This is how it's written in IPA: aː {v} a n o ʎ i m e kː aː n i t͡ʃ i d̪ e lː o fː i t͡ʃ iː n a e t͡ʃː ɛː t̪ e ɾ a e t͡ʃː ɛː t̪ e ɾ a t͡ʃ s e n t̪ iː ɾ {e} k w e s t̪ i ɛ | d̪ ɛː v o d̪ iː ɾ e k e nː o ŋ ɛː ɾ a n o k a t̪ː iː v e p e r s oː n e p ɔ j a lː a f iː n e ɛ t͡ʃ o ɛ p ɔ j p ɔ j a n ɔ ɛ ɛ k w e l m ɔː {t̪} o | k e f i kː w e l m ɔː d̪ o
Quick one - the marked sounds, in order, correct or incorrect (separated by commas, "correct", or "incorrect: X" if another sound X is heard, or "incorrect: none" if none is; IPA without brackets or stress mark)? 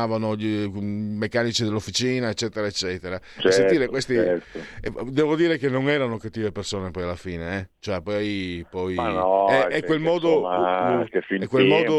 correct, correct, incorrect: d̪